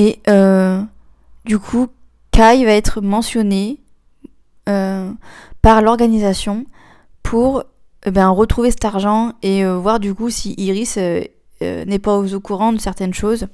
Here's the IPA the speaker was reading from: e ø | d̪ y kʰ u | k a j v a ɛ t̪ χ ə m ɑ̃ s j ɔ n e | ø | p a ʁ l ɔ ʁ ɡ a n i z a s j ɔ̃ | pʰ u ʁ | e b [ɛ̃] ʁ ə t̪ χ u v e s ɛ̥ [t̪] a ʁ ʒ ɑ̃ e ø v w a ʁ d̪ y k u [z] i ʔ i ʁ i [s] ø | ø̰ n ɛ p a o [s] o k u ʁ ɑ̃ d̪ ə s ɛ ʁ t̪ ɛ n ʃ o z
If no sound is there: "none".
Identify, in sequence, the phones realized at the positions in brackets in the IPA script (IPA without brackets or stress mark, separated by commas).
ɛ̃, t̪, s, s, z